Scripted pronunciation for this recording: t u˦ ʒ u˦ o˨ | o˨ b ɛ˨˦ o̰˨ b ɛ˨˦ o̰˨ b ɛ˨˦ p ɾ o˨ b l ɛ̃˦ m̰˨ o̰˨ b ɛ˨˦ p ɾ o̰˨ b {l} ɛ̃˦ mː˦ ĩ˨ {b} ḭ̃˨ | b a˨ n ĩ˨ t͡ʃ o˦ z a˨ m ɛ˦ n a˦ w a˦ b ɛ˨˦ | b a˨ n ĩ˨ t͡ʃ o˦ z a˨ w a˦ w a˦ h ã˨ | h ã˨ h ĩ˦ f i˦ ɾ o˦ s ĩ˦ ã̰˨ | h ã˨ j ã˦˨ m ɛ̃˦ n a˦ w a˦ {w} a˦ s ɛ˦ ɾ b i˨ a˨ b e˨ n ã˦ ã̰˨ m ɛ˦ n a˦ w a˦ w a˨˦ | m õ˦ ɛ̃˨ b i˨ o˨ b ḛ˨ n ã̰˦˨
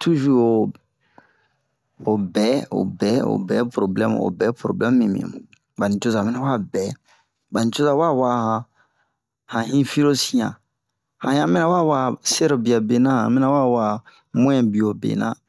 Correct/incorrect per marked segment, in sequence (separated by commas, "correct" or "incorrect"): correct, incorrect, correct